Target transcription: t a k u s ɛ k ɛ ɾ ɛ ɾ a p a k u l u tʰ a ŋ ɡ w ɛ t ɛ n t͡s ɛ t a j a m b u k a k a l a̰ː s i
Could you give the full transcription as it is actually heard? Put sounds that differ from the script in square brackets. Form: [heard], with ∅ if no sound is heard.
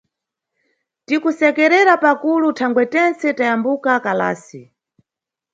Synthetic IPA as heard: t [i] k u s ɛ k ɛ ɾ ɛ ɾ a p a k u l u tʰ a ŋ ɡ w ɛ t ɛ n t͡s ɛ t a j a m b u k a k a l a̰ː s i

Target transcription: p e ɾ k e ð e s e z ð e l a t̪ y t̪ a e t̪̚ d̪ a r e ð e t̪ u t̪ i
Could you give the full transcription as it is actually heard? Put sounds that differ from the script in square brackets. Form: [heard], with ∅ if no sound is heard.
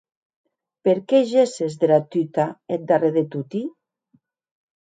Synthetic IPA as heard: p e ɾ k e [ʒ] e s e z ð e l a t̪ y t̪ a e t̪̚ d̪ a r e ð e t̪ u t̪ i

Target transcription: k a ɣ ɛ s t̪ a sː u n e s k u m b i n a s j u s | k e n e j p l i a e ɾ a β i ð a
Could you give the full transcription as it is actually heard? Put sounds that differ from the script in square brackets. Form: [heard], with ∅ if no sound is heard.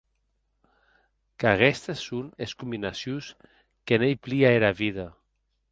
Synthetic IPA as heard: k a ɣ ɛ s t̪ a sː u n e s k u m b i n a s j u s | k e n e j p l i a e ɾ a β i ð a

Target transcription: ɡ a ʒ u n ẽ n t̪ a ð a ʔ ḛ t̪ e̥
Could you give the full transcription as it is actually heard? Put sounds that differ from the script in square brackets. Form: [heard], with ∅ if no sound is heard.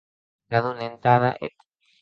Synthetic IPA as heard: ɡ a [ð] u n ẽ n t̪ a ð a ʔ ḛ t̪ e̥

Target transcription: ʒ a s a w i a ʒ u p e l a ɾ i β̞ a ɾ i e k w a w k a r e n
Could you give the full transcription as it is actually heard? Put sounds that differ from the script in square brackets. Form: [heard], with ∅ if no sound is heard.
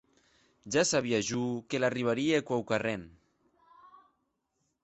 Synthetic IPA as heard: ʒ a s a [β] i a ʒ u [k] e l a [r] i β̞ a ɾ i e k w a w k a r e n

